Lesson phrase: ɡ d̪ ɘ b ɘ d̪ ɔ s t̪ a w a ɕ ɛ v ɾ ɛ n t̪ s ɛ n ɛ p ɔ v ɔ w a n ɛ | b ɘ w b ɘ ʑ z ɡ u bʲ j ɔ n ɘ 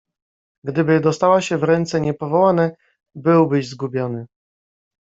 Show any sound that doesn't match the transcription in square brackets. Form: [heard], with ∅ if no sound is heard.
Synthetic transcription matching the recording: ɡ d̪ ɘ b ɘ d̪ ɔ s t̪ a w a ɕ ɛ v ɾ ɛ n t̪ s ɛ [ɲ] ɛ p ɔ v ɔ w a n ɛ | b ɘ w b ɘ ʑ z ɡ u bʲ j ɔ n ɘ